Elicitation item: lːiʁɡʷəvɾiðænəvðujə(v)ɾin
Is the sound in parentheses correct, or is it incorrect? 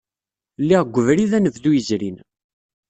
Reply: incorrect